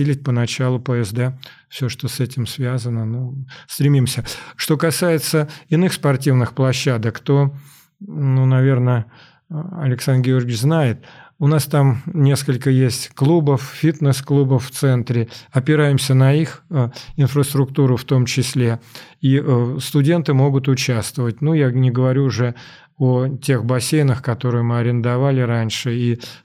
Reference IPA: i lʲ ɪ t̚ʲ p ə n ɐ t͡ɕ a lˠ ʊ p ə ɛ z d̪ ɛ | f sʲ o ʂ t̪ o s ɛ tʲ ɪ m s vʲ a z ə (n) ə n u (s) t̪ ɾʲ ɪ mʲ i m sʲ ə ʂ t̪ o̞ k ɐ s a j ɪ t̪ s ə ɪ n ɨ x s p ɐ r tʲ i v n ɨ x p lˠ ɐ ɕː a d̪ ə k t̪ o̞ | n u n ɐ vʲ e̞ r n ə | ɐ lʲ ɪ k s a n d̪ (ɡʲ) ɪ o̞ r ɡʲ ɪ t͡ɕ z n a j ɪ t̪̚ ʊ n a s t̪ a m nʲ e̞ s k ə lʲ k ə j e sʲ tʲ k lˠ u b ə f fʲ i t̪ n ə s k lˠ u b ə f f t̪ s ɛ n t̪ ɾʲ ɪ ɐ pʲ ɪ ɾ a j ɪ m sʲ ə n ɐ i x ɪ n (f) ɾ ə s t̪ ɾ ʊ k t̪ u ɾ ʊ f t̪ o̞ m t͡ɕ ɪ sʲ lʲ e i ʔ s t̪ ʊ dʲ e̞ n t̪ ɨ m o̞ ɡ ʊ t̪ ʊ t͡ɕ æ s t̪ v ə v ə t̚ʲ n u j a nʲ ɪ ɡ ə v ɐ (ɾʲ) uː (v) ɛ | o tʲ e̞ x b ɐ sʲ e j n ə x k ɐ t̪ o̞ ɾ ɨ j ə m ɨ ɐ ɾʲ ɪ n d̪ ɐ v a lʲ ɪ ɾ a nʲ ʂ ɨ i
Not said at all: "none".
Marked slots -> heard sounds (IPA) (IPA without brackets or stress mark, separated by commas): n, s, ɡʲ, f, ɾʲ, ʐ